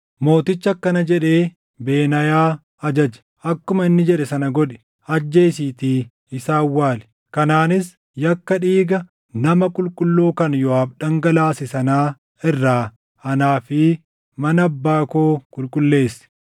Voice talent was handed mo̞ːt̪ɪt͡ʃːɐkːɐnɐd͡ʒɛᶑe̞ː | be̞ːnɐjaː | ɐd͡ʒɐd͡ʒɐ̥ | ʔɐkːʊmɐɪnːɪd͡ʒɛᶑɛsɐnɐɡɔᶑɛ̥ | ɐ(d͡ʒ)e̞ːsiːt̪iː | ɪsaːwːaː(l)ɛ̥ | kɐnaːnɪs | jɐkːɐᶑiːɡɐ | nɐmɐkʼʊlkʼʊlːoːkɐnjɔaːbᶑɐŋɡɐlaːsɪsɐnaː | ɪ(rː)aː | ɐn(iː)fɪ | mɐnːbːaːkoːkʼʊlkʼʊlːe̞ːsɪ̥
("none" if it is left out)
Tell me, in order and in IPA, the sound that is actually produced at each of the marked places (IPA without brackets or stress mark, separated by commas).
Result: d͡ʒː, l, rː, aː